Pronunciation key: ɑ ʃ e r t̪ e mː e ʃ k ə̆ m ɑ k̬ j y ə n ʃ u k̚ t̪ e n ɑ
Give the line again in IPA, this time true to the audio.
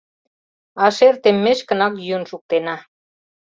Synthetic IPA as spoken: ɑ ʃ e r t̪ e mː e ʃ k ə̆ n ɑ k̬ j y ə n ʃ u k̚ t̪ e n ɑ